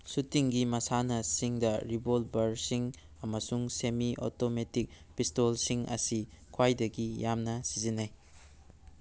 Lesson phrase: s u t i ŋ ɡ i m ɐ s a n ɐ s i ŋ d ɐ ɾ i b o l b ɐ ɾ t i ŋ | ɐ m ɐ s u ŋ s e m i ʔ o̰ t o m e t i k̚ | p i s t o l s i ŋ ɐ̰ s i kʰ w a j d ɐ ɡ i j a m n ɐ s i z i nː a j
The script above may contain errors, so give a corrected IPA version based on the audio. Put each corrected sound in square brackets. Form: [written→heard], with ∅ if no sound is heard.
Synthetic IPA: s u t i ŋ ɡ i m ɐ s a n ɐ s i ŋ d ɐ ɾ i b o l b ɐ ɾ [t→s] i ŋ | ɐ m ɐ s u ŋ s e m i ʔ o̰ t o m e t i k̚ | p i s t o l s i ŋ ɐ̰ s i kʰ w a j d ɐ ɡ i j a m n ɐ s i z i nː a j